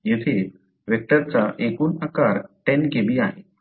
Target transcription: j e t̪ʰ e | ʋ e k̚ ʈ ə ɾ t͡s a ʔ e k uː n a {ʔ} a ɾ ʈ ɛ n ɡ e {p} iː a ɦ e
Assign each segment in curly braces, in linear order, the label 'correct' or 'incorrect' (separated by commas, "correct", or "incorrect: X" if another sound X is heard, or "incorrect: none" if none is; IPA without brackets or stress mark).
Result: incorrect: k, incorrect: b